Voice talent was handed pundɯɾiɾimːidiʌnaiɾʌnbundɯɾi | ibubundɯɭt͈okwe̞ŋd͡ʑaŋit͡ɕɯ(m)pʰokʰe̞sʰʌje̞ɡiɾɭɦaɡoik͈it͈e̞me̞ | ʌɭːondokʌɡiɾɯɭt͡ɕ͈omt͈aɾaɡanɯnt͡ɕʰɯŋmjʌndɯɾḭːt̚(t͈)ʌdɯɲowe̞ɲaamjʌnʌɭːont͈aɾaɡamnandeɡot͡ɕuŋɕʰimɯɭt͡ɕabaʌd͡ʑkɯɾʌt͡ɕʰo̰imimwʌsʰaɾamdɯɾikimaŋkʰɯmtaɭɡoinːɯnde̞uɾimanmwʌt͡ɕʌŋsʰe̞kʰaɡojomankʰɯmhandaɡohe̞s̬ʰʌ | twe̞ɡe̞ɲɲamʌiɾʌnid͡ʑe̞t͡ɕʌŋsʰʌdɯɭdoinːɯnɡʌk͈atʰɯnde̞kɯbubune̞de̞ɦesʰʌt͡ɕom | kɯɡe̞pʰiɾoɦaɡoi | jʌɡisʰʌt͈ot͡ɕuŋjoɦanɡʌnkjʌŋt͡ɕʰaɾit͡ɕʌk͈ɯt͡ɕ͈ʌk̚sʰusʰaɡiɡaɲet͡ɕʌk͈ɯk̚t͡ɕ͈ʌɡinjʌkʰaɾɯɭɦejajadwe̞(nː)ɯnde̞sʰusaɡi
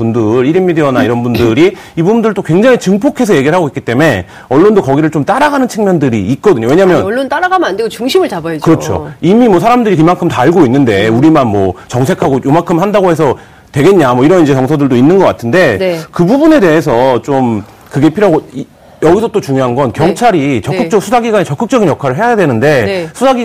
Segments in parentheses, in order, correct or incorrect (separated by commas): incorrect, incorrect, incorrect